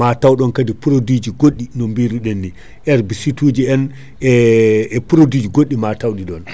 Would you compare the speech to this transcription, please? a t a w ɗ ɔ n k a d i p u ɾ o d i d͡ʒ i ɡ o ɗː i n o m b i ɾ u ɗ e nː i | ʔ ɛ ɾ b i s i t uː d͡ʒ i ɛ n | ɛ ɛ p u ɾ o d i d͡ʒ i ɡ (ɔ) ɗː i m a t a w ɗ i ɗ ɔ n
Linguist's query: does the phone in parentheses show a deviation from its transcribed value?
yes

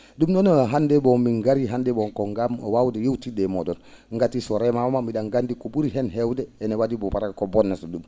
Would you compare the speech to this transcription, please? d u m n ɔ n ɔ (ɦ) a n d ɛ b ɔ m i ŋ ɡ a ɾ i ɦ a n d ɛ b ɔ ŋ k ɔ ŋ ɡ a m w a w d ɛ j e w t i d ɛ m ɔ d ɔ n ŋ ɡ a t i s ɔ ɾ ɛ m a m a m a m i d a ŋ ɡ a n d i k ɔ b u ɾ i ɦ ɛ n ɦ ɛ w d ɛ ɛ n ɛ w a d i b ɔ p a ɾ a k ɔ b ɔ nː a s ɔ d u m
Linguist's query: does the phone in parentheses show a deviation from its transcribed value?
no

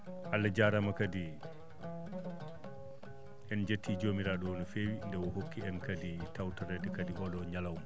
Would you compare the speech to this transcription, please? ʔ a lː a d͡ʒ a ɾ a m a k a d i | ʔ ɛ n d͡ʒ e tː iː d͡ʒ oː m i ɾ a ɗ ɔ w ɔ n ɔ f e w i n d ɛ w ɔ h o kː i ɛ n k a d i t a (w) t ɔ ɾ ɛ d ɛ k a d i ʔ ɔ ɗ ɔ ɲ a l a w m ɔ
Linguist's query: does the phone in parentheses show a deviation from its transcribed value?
no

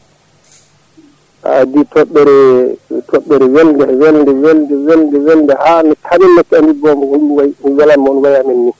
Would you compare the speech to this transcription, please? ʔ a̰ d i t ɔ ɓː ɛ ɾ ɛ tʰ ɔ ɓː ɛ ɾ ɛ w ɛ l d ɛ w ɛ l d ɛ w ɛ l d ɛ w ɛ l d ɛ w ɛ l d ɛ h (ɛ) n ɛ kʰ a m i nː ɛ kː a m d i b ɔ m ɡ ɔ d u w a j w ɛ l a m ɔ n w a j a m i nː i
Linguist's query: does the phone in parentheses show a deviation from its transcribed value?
yes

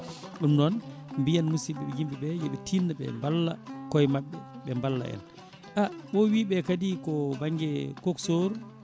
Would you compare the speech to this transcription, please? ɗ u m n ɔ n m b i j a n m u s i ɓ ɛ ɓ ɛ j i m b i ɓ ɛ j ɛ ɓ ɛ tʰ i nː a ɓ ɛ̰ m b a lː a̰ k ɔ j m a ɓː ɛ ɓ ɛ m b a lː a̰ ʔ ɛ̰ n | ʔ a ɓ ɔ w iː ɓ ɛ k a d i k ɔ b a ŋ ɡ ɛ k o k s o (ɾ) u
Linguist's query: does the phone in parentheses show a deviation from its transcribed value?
no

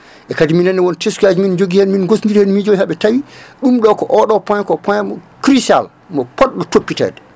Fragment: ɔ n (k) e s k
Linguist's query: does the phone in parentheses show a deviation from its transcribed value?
yes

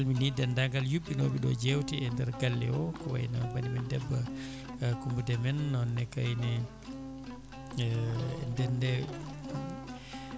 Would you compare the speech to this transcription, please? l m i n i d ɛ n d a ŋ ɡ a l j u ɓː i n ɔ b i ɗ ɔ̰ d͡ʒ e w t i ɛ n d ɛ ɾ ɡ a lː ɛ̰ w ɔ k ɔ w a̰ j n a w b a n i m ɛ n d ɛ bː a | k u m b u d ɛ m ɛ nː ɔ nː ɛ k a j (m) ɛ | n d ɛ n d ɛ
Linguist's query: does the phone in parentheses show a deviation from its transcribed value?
yes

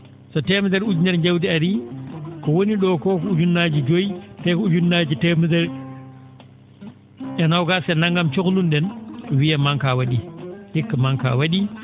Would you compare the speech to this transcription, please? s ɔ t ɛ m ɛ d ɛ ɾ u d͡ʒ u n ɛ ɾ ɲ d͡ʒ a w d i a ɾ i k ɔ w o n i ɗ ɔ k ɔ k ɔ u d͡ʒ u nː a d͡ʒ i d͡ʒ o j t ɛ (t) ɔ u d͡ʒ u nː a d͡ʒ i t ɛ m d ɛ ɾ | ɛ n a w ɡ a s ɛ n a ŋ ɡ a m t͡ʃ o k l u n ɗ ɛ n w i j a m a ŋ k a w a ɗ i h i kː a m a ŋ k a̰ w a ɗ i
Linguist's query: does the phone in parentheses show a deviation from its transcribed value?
yes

